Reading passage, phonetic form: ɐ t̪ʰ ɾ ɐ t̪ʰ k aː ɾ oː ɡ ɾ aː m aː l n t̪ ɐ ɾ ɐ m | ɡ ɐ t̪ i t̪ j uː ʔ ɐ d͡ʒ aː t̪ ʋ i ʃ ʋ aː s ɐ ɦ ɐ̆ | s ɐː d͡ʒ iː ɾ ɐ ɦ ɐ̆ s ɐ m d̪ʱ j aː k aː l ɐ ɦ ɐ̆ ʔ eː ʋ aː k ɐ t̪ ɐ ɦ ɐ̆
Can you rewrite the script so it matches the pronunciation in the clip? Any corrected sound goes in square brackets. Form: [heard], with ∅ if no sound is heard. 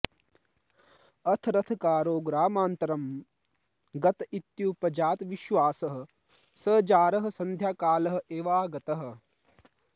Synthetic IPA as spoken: ɐ t̪ʰ ɾ ɐ t̪ʰ k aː ɾ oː ɡ ɾ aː m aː [∅] n t̪ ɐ ɾ ɐ m | ɡ ɐ t̪ i t̪ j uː [p] ɐ d͡ʒ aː t̪ ʋ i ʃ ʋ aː s ɐ ɦ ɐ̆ | s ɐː d͡ʒ [aː] ɾ ɐ ɦ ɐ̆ s ɐ [n] d̪ʱ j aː k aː l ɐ ɦ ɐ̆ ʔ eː ʋ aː [ɡ] ɐ t̪ ɐ ɦ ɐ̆

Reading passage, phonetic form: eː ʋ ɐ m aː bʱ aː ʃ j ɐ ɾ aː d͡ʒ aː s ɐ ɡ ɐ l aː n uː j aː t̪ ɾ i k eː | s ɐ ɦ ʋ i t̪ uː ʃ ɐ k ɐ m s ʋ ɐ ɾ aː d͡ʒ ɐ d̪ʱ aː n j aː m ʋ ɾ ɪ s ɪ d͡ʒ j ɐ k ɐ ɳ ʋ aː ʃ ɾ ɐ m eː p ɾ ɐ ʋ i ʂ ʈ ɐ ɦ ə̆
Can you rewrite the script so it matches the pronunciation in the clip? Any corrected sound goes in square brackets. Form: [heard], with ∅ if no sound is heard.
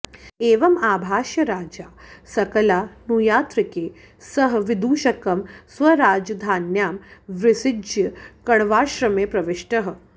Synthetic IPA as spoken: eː ʋ ɐ m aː bʱ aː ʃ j ɐ ɾ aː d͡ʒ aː s ɐ [k] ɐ l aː n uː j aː t̪ ɾ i k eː | s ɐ ɦ ʋ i [d̪] uː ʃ ɐ k ɐ m s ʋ ɐ ɾ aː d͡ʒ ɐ d̪ʱ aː n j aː m ʋ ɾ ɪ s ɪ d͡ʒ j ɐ k ɐ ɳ ʋ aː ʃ ɾ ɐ m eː p ɾ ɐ ʋ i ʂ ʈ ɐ ɦ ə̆

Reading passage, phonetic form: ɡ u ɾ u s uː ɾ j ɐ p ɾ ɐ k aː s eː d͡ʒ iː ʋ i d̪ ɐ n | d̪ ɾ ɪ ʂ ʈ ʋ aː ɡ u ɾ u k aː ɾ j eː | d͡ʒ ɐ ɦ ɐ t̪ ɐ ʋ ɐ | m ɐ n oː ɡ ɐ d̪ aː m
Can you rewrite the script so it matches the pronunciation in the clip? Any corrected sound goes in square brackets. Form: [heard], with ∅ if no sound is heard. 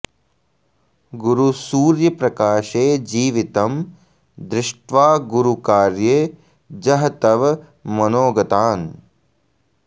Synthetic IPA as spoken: ɡ u ɾ u s uː ɾ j ɐ p ɾ ɐ k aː [ʃ] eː d͡ʒ iː ʋ i [t̪] ɐ [m] | d̪ ɾ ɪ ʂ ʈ ʋ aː ɡ u ɾ u k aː ɾ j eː | d͡ʒ ɐ ɦ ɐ t̪ ɐ ʋ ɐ | m ɐ n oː ɡ ɐ [t̪] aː [n]

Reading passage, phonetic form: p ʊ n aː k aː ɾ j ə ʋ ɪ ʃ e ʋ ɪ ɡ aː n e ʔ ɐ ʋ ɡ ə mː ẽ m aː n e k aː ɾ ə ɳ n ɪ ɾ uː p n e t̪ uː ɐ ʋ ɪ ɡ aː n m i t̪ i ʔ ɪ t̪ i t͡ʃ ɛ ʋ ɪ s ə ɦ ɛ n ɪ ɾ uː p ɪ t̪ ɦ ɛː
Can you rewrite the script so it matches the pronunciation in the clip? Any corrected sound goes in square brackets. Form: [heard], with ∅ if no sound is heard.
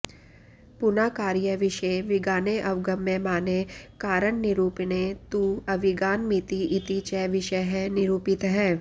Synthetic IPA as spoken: p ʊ n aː k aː ɾ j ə ʋ ɪ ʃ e ʋ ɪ ɡ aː n e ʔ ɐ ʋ ɡ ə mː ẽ m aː n e k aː ɾ ə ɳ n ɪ ɾ uː p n e t̪ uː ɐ ʋ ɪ ɡ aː n m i t̪ i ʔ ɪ t̪ i t͡ʃ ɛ ʋ ɪ [ʃ] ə ɦ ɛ n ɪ ɾ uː p ɪ t̪ ɦ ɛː

